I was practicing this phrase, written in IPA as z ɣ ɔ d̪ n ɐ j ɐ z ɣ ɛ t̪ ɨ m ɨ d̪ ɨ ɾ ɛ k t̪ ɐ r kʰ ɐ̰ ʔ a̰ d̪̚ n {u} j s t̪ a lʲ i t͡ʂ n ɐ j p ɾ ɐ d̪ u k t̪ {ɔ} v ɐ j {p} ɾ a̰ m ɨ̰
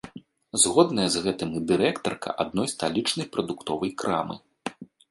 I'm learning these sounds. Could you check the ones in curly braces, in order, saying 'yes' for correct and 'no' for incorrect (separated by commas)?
no, yes, no